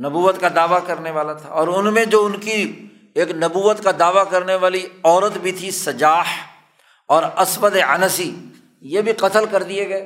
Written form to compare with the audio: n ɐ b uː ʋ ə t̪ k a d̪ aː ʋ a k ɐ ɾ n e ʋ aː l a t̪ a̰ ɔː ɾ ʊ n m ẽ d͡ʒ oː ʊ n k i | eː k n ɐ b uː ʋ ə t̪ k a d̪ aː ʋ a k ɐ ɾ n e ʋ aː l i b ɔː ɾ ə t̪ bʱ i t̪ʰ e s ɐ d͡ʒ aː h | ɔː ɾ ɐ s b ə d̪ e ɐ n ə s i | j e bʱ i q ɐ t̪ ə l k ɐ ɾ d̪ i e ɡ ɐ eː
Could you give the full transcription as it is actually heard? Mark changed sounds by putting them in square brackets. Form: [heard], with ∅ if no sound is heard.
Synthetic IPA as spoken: n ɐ b uː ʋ ə t̪ k a d̪ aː ʋ a k ɐ ɾ n e ʋ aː l a [t̪ʰ] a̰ ɔː ɾ ʊ n m ẽ d͡ʒ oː ʊ n k i | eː k n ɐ b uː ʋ ə t̪ k a d̪ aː ʋ a k ɐ ɾ n e ʋ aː l i [∅] ɔː ɾ ə t̪ bʱ i t̪ʰ [i] s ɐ d͡ʒ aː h | ɔː ɾ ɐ s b ə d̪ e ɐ n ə s i | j e bʱ i q ɐ t̪ ə l k ɐ ɾ d̪ i e ɡ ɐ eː